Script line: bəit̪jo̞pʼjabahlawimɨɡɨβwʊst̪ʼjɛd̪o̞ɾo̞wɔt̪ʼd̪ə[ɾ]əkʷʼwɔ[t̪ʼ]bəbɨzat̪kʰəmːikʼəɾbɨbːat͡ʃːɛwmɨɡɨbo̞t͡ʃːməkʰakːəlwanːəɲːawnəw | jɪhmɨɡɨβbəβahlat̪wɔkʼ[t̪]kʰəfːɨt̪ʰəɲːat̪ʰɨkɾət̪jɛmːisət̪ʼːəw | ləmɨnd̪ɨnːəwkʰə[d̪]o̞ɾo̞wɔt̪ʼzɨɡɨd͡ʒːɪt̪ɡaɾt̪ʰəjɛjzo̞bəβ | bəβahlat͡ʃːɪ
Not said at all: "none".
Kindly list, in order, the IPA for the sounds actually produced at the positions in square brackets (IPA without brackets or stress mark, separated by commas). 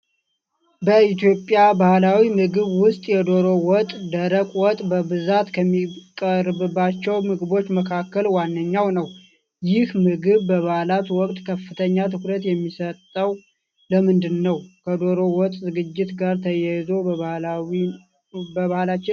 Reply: ɾ, t̪ʼ, t̪ʼ, d̪